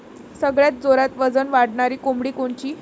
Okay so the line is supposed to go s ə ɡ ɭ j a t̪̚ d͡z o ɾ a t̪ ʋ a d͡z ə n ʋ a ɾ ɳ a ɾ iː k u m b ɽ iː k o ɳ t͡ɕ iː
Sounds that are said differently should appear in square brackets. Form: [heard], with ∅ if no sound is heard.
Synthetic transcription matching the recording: s ə ɡ ɭ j a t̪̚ d͡z o ɾ a t̪ ʋ [ə] d͡z ə n ʋ a [ɽ] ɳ a ɾ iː k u m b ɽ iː k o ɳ t͡ɕ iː